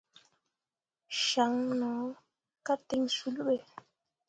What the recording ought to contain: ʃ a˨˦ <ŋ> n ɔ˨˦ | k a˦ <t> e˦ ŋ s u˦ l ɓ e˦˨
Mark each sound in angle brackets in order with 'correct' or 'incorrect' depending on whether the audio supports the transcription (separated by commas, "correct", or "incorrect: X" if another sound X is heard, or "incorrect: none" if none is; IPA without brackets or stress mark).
correct, correct